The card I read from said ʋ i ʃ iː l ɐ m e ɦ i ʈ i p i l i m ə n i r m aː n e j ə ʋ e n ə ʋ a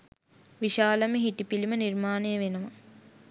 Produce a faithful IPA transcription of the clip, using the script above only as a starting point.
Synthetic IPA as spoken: ʋ i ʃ aː l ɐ m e ɦ i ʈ i p i l i m ə n i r m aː n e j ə ʋ e n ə ʋ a